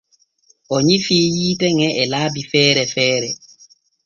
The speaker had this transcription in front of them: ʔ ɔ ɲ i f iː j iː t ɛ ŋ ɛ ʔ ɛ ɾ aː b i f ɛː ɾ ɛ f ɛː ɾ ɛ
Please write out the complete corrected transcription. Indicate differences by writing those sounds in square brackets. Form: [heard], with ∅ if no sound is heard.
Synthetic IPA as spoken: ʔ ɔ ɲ i f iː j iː t ɛ ŋ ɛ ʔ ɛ [l] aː b i f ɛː ɾ ɛ f ɛː ɾ ɛ